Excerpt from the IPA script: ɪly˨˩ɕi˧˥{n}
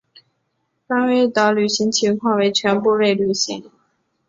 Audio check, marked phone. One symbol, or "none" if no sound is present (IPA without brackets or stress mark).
ŋ